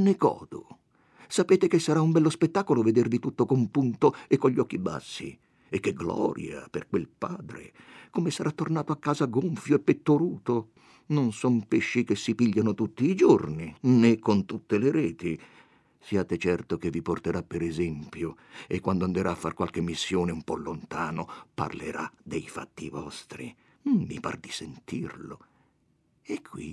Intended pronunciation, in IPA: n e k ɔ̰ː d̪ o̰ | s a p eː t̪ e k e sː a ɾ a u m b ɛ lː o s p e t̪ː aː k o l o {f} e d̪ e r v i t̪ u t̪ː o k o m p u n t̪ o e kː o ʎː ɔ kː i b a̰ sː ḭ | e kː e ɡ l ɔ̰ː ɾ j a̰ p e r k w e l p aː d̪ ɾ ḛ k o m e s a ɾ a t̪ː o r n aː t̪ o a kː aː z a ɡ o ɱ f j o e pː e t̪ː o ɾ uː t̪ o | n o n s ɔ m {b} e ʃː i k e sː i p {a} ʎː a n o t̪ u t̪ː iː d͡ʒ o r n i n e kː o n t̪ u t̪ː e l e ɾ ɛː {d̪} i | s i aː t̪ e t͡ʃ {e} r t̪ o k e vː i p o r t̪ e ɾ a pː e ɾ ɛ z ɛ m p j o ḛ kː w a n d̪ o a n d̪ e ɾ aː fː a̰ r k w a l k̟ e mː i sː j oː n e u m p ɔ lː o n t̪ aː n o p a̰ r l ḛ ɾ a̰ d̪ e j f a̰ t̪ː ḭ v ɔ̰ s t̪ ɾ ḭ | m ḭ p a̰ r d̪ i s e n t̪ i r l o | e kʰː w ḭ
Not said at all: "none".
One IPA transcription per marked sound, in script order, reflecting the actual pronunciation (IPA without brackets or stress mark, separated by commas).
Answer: v, p, i, t̪, ɛ